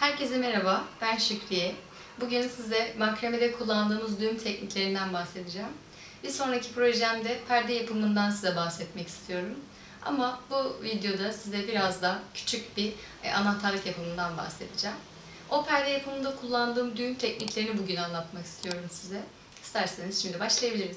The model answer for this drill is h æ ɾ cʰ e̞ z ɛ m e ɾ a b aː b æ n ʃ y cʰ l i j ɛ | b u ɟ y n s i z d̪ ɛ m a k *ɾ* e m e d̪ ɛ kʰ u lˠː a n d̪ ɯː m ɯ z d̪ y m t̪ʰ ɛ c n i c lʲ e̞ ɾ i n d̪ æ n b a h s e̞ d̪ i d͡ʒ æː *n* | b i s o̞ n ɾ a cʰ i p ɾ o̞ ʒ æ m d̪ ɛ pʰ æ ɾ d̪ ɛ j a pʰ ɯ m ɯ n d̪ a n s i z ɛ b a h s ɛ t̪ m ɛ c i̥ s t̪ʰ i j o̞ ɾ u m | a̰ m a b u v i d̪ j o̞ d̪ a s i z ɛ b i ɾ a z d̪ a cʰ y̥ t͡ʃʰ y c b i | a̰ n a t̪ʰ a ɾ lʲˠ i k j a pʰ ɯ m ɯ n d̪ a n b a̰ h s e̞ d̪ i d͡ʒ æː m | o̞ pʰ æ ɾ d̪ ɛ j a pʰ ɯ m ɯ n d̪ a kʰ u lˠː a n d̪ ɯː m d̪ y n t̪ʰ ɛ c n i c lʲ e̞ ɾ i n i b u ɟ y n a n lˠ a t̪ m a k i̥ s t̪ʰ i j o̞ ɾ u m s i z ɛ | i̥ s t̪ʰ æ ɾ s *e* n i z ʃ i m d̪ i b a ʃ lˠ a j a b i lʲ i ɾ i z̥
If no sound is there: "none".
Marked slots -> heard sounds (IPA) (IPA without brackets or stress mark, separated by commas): ɾ, m, e